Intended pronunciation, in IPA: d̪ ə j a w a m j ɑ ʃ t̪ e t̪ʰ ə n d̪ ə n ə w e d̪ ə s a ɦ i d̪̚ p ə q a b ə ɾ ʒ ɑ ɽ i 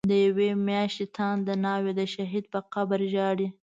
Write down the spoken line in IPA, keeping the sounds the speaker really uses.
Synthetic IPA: d̪ ə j a w e m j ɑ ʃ t̪ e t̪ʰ ɑ n d̪ ə n ɑ w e d̪ ə ʃ a ɦ i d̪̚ p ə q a b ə ɾ ʒ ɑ ɽ i